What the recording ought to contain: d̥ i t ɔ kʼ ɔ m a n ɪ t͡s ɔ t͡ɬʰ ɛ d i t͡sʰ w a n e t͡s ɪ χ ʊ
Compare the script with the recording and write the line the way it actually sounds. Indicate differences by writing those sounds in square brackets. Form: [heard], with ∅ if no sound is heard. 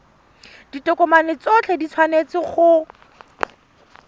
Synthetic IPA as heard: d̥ i t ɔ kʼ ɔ m a n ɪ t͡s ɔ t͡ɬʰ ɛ d i t͡sʰ w a n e t͡s ɪ χ ʊ